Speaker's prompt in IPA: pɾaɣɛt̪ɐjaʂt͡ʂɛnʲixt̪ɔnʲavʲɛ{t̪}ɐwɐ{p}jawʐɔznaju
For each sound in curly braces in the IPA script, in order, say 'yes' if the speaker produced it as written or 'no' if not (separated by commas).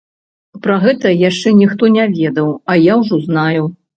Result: no, no